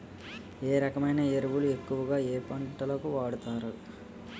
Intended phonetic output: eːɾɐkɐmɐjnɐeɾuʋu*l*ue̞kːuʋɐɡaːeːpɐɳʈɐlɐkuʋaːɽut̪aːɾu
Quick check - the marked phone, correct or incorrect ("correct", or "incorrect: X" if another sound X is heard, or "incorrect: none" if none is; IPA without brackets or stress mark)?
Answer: correct